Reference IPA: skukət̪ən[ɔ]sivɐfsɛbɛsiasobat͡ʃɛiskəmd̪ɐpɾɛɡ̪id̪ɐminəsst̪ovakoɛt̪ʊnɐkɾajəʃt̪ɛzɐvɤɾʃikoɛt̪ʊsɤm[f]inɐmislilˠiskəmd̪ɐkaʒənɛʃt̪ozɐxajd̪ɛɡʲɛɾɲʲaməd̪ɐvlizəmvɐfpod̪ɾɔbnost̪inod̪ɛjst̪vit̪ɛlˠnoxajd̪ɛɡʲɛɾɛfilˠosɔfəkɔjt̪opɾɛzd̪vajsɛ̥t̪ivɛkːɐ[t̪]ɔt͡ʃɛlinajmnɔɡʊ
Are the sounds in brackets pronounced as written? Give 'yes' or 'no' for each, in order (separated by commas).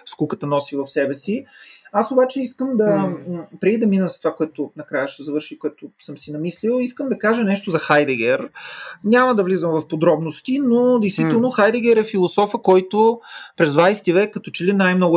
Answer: yes, no, yes